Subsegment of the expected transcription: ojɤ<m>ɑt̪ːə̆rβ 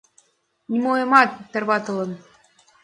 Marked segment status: correct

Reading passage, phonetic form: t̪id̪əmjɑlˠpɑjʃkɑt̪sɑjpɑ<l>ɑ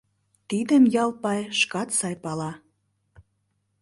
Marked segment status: correct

